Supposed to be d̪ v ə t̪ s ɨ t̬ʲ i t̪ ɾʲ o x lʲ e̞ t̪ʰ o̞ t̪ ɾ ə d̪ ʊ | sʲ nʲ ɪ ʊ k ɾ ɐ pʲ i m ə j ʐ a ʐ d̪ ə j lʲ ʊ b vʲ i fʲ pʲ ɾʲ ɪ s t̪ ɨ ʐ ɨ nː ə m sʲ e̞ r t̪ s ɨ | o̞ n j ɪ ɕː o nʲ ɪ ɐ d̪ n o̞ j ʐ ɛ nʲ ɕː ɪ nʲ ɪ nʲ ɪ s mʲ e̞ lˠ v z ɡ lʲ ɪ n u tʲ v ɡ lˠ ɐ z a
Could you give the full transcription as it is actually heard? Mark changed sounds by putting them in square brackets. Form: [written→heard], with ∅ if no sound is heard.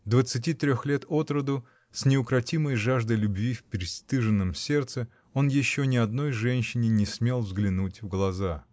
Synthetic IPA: d̪ v ə t̪ s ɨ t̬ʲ i t̪ ɾʲ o x lʲ e̞ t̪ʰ o̞ t̪ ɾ ə d̪ ʊ | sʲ nʲ ɪ ʊ k ɾ ɐ [pʲ→tʲ] i m ə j ʐ a ʐ d̪ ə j lʲ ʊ b vʲ i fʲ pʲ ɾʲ ɪ s t̪ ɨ ʐ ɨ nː ə m sʲ e̞ r t̪ s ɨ | o̞ n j ɪ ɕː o nʲ ɪ ɐ d̪ n o̞ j ʐ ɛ nʲ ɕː ɪ nʲ ɪ nʲ ɪ s mʲ e̞ lˠ v z ɡ lʲ ɪ n u tʲ v ɡ lˠ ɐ z a